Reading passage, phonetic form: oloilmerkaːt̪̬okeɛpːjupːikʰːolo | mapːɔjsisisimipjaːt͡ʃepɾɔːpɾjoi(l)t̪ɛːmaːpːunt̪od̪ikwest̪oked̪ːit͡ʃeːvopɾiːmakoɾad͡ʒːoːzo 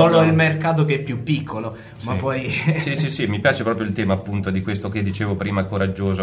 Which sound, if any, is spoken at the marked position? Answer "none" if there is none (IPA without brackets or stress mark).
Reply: l